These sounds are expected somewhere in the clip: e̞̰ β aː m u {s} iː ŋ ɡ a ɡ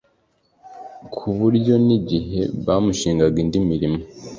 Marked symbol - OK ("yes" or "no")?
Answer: no